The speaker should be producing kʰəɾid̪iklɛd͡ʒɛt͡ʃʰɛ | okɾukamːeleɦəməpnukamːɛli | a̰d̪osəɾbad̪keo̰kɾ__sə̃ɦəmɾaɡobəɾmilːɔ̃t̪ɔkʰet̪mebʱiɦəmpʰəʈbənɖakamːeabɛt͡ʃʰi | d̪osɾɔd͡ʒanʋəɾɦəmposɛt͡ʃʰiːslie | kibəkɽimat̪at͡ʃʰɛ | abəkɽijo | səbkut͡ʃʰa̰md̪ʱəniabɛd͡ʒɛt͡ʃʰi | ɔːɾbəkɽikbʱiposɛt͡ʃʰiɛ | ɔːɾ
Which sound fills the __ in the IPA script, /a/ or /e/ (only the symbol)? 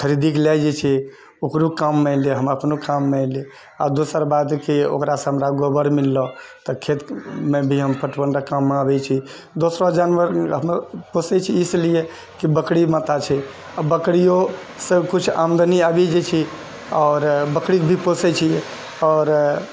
a